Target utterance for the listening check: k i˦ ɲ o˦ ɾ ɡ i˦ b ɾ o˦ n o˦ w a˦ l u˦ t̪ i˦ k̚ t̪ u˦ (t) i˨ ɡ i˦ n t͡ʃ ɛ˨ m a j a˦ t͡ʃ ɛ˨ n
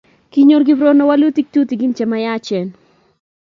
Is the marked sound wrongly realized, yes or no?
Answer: no